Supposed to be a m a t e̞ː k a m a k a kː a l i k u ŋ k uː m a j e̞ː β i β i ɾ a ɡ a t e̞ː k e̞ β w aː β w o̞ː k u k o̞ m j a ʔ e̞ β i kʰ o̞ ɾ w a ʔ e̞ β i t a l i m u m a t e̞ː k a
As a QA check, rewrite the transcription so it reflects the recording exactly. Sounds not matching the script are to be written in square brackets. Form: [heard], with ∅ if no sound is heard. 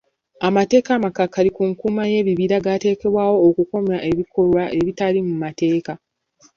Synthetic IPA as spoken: a m a t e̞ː k a m a k a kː a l i k u ŋ k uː m a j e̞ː β i β i ɾ a ɡ a t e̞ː k e̞ β w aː [∅] w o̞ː k u k o̞ m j a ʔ e̞ β i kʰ o̞ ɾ w a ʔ e̞ β i t a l i m u m a t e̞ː k a